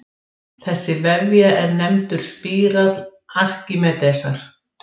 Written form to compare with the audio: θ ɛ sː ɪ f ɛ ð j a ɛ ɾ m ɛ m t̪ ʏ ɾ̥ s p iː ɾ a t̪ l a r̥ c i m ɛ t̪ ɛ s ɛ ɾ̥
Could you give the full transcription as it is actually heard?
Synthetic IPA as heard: θ ɛ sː ɪ v ɛ v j a ɛ ɾ n ɛ m t̪ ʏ ɾ̥ s p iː ɾ a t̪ l a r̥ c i m ɛ t̪ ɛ s a ɾ̥